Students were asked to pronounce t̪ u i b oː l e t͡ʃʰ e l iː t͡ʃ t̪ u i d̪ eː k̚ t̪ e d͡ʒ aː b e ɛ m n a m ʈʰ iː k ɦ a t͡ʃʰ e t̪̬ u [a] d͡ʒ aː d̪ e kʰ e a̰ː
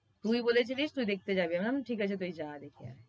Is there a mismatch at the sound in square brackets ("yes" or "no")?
yes